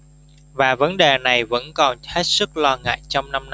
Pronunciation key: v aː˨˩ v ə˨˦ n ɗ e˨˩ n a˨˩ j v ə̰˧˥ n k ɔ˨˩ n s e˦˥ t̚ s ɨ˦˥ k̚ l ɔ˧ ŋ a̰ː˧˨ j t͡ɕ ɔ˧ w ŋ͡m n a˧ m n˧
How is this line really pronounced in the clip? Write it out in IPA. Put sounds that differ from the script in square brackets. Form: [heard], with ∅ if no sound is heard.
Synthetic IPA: v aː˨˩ v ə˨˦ n ɗ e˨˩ n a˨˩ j v ə̰˧˥ n k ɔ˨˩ n [h] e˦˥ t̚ s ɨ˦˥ k̚ l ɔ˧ ŋ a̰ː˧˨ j t͡ɕ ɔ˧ w ŋ͡m n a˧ m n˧